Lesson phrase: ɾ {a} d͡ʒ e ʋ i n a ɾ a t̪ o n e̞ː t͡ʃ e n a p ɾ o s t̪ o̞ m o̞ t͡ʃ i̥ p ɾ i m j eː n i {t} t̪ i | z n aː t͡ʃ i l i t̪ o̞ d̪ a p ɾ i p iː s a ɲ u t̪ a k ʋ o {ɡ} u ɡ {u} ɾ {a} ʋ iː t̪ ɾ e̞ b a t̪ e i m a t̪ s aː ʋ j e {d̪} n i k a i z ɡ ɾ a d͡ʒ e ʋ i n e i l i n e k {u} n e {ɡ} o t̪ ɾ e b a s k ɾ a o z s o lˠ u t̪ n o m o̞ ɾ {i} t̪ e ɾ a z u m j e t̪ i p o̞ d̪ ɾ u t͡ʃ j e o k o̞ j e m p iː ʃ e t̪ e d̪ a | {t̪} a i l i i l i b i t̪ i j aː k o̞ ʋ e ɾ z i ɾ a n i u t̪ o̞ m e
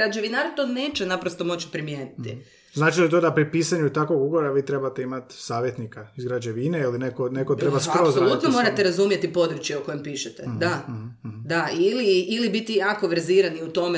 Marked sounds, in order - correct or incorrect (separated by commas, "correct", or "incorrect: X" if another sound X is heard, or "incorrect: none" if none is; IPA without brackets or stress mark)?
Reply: correct, correct, correct, incorrect: o, correct, incorrect: t̪, incorrect: o, incorrect: k, incorrect: a, incorrect: d̪